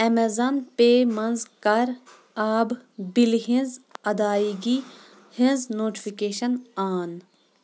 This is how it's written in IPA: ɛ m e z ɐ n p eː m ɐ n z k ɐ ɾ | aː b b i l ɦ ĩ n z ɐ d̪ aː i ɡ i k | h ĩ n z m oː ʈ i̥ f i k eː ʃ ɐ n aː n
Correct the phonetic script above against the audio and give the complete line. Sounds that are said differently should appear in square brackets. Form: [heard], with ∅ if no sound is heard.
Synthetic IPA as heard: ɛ m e z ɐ n p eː m ɐ n z k ɐ ɾ | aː b b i l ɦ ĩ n z ɐ d̪ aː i ɡ i [∅] | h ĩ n z [n] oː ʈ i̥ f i k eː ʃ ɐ n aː n